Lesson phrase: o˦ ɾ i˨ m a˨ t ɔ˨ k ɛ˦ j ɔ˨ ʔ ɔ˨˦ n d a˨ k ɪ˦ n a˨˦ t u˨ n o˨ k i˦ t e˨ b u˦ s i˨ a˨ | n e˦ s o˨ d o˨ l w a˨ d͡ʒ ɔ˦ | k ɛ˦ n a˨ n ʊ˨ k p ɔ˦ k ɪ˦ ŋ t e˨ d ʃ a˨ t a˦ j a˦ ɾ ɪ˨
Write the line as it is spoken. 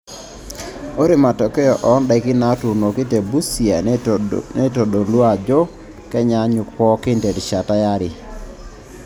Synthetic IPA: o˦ ɾ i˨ m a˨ t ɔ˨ k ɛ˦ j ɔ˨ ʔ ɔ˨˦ n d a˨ k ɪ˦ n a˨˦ t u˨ n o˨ k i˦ t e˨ b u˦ s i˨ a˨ | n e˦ t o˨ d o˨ l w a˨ d͡ʒ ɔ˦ | k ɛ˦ ɲ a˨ ɲ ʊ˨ k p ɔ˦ k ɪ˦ n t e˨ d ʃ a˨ t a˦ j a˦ ɾ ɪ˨